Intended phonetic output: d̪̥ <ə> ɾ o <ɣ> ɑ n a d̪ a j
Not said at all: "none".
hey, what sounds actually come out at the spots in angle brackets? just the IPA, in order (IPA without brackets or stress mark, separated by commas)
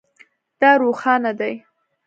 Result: ɑ, x